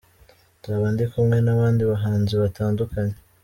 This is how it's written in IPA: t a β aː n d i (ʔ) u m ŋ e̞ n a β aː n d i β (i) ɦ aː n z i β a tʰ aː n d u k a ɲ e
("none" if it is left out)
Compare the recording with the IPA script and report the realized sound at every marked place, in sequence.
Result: k, a

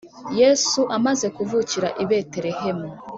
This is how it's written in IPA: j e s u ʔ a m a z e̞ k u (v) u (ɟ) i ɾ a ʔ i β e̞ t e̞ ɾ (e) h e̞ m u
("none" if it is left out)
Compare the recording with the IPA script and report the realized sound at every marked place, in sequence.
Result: v, c, e

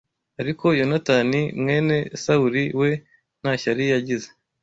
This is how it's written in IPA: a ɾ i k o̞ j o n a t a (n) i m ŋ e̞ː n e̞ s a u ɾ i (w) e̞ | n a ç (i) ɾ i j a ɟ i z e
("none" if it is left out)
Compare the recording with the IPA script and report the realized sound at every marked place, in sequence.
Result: n, w, a

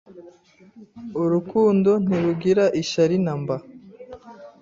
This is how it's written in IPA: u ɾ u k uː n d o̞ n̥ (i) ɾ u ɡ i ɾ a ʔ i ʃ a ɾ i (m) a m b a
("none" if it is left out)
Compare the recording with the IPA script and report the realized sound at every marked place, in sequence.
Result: i, n

